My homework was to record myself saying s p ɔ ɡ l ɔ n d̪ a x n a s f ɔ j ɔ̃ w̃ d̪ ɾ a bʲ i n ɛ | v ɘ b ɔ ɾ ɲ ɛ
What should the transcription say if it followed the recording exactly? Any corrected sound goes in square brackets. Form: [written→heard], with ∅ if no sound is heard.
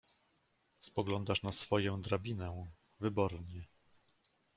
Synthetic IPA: s p ɔ ɡ l ɔ n d̪ a [x→ʂ] n a s f ɔ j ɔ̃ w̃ d̪ ɾ a bʲ i n ɛ | v ɘ b ɔ ɾ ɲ ɛ